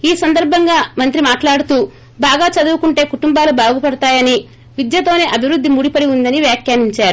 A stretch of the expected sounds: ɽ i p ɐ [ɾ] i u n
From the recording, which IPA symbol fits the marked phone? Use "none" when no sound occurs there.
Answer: ɽ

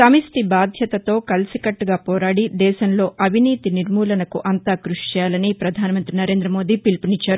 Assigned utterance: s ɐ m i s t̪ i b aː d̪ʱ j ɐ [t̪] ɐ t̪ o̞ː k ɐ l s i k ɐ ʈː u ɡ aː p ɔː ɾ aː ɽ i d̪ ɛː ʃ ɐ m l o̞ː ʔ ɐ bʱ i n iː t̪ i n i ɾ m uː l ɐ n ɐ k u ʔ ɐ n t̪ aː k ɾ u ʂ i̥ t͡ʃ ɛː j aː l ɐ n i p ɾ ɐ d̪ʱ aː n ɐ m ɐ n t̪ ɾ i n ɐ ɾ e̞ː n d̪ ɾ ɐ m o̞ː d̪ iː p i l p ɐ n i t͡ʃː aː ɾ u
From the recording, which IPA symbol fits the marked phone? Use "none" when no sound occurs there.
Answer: t̪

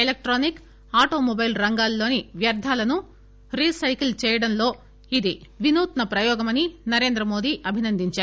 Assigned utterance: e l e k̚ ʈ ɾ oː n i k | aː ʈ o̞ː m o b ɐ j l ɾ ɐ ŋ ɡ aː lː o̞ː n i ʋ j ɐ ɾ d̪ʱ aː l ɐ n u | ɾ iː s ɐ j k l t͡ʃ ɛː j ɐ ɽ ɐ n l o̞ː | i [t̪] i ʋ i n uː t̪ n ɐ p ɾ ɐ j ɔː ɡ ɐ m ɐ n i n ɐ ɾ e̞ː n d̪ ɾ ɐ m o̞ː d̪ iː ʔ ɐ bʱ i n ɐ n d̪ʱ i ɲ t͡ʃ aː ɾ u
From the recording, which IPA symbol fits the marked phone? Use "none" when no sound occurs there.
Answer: d̪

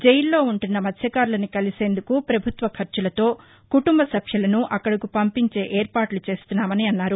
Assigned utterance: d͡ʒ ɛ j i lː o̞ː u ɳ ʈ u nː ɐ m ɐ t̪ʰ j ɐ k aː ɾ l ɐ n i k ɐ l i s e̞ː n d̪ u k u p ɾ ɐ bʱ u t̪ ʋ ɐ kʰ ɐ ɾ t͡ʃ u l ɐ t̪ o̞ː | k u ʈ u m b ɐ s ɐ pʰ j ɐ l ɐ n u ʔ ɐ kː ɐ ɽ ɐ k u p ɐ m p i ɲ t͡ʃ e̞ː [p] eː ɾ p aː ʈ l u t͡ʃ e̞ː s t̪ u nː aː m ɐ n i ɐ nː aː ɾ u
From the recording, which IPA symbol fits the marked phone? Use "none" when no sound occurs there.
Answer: ʔ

